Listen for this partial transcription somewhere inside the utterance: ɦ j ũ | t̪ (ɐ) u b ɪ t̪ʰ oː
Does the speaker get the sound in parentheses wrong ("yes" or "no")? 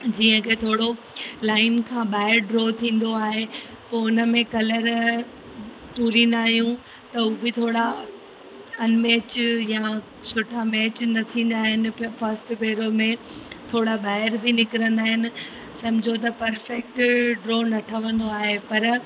no